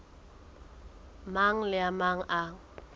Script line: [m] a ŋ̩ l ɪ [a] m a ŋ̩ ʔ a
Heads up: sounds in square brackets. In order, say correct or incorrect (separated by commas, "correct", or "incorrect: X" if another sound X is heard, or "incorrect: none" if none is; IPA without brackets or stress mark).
correct, correct